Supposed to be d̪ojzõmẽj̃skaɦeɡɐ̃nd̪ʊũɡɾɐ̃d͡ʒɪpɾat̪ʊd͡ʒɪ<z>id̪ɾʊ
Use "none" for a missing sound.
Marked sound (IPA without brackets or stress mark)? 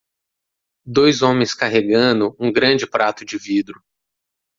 v